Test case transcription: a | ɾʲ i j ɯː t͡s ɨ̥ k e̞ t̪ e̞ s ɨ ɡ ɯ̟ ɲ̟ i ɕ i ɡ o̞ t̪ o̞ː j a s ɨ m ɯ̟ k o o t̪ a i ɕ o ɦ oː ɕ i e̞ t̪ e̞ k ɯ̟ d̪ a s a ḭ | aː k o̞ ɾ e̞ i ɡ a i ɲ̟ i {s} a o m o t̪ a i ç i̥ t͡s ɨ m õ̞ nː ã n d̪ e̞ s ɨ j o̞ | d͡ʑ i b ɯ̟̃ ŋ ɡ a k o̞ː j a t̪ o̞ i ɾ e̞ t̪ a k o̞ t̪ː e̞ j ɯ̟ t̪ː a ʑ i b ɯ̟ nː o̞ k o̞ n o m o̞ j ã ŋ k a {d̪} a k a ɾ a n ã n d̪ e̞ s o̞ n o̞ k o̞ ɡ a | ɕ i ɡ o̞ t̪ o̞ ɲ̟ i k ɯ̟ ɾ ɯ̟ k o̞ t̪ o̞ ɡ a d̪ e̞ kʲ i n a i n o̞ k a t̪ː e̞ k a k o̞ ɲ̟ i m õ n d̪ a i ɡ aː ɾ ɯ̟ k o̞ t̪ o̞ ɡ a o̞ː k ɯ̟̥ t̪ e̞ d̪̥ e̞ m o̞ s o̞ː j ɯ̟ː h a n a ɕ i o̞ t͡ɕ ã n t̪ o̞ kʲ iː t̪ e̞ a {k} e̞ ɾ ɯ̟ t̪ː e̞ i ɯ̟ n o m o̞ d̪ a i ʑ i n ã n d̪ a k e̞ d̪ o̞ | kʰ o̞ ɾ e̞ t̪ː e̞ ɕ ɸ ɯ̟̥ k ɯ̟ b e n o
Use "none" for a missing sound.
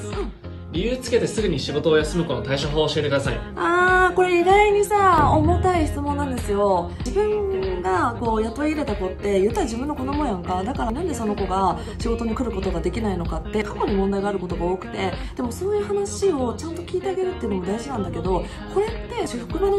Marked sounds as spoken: s, d̪, ɡ

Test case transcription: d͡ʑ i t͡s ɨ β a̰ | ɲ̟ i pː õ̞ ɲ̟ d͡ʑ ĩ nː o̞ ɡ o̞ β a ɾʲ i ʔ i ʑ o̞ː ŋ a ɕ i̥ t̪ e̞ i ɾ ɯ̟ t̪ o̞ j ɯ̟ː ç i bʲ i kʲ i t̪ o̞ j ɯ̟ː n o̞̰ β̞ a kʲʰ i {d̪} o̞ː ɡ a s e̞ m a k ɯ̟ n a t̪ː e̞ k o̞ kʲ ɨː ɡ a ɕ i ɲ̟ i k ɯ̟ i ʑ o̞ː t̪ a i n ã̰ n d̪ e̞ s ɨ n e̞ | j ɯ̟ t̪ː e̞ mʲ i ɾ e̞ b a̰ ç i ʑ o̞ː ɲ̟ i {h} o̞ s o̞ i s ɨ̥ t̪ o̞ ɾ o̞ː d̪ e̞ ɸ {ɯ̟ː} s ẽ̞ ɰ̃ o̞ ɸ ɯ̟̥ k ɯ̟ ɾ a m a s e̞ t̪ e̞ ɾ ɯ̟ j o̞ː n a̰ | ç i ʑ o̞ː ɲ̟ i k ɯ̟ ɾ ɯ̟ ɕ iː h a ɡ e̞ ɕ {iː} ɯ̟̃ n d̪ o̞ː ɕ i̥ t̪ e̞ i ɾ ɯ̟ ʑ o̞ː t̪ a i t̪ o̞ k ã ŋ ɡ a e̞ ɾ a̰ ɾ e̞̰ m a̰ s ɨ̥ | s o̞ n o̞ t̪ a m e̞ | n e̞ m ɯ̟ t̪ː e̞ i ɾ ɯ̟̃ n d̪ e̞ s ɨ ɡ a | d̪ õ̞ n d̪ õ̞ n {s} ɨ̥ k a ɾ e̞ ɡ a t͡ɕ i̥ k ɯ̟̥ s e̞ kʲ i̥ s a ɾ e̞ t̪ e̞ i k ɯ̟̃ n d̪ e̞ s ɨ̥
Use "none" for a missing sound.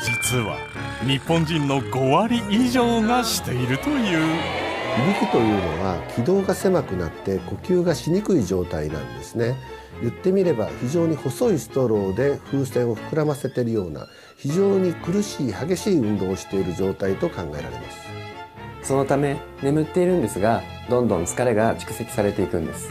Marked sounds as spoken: d̪, h, ɯ̟ː, iː, t͡s

